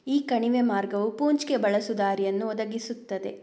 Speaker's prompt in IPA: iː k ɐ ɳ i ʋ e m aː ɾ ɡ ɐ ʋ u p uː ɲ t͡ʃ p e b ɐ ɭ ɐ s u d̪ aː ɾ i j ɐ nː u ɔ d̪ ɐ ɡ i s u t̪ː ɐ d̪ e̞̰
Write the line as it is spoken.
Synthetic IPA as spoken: iː k ɐ ɳ i ʋ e m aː ɾ ɡ ɐ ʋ u p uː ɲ t͡ʃ k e b ɐ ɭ ɐ s u d̪ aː ɾ i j ɐ nː u ɔ d̪ ɐ ɡ i s u t̪ː ɐ d̪ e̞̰